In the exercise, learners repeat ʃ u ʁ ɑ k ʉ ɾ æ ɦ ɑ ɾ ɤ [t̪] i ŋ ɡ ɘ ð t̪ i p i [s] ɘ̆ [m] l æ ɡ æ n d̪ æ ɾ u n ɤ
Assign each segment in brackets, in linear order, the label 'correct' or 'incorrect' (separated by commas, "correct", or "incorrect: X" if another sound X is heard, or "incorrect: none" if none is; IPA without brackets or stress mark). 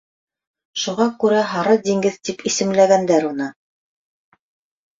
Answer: incorrect: d̪, correct, correct